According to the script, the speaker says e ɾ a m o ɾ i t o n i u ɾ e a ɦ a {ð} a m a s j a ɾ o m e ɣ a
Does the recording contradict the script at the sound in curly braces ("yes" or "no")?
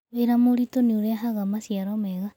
yes